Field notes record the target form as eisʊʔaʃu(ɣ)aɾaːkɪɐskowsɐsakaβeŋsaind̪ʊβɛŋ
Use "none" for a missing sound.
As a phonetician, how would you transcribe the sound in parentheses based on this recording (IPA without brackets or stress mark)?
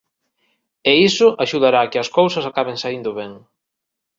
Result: ð